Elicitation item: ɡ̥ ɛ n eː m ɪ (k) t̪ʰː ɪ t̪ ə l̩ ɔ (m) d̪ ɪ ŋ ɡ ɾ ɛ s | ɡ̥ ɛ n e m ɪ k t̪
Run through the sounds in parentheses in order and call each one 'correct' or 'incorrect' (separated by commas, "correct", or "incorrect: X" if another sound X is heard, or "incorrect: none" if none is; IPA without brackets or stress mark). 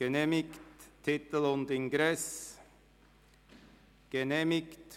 correct, incorrect: n